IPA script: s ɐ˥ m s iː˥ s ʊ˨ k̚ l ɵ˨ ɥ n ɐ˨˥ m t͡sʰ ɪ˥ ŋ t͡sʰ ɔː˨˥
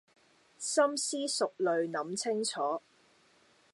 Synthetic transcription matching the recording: s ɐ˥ m s iː˥ s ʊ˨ k̚ l ɵ˨ ɥ n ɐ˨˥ m t͡sʰ ɪ˥ ŋ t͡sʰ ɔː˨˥